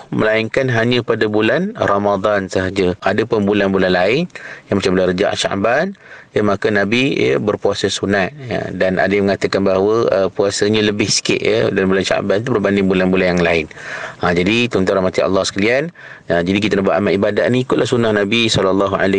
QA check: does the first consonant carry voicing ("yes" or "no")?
yes